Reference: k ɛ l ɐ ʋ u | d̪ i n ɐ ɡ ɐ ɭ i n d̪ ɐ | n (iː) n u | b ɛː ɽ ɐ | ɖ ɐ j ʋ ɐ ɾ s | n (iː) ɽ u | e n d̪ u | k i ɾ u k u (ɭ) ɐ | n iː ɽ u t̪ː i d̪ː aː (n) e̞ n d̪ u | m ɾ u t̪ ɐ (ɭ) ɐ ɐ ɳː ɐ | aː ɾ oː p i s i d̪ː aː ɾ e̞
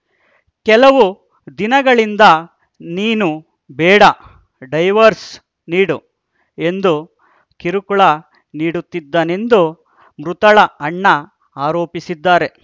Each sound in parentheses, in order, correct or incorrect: correct, correct, correct, correct, correct

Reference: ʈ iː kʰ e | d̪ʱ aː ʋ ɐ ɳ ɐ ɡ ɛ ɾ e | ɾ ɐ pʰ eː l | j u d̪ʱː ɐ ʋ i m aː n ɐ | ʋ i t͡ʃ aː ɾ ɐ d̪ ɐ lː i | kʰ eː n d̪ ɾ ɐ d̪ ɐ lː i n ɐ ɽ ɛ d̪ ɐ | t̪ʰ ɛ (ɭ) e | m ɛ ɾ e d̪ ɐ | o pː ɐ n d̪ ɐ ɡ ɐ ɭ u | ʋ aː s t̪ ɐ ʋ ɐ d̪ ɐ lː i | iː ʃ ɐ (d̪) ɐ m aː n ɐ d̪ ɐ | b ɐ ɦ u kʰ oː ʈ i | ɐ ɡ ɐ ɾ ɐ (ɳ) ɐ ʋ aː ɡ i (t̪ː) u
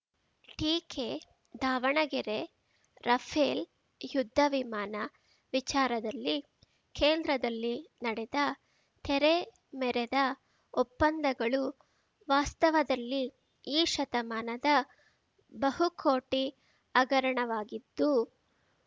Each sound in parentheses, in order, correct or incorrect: incorrect, incorrect, correct, incorrect

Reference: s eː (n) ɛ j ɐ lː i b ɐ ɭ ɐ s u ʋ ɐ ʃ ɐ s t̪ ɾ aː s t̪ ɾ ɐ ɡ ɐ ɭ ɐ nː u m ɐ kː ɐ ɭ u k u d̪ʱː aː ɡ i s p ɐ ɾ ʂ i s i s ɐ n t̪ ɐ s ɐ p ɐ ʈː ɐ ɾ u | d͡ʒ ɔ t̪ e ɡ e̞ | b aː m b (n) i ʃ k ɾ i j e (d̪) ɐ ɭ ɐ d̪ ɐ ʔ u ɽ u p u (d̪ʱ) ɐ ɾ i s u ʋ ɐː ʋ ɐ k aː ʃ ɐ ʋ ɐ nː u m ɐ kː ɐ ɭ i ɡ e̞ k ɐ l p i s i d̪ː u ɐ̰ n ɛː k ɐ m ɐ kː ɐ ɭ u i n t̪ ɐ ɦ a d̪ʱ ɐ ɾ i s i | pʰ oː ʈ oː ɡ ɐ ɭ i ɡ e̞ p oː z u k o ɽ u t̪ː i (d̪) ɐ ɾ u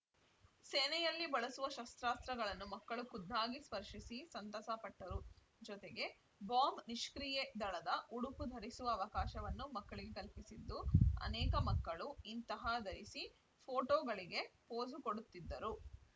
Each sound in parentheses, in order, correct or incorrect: correct, correct, correct, correct, incorrect

